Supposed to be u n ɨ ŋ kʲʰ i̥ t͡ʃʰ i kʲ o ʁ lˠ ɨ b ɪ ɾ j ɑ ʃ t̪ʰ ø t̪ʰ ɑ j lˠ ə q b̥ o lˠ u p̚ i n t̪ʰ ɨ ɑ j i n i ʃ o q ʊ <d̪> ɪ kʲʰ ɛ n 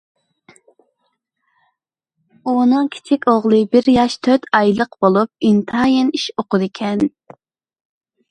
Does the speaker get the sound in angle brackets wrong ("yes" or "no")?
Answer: no